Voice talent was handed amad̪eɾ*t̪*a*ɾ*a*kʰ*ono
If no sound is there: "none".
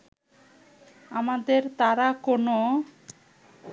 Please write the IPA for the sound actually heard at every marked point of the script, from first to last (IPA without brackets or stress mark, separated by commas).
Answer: t̪, ɾ, k